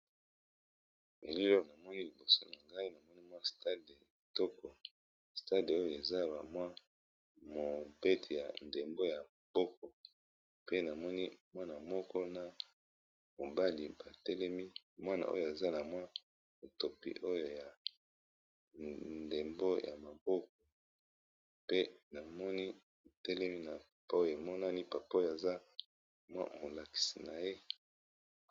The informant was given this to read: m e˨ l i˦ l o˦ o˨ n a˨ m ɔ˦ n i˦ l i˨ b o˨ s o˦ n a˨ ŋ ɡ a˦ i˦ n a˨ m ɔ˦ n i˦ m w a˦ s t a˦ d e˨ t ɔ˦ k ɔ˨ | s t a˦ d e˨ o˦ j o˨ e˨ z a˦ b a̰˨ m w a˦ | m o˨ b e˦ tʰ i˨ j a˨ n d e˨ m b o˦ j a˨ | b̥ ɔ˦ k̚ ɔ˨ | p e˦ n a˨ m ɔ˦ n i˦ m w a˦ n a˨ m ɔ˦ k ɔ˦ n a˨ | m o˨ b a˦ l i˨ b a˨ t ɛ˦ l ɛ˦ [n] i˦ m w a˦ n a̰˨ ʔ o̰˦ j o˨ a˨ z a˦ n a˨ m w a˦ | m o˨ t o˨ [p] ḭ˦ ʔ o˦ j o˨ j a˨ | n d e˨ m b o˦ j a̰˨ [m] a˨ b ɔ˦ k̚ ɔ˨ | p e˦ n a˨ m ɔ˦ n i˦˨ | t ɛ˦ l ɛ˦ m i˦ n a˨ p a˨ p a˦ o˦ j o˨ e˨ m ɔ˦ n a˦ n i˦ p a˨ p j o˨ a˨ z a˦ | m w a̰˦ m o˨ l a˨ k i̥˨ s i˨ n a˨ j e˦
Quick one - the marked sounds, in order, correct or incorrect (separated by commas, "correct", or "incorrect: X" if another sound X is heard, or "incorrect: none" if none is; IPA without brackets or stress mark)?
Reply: incorrect: m, correct, correct